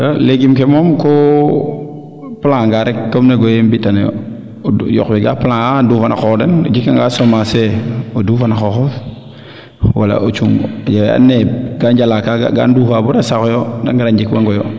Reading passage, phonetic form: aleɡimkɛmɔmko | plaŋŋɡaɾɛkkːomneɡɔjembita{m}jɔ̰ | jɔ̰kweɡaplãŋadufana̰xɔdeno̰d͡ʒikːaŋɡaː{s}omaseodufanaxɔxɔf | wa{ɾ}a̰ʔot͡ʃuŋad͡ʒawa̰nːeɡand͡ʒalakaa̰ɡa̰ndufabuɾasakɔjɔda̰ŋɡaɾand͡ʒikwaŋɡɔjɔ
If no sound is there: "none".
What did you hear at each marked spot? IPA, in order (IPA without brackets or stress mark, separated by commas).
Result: n, s, l